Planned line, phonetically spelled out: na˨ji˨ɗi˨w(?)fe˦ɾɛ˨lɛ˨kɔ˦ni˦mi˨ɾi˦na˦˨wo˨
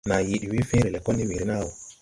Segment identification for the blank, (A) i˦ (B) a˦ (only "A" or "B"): A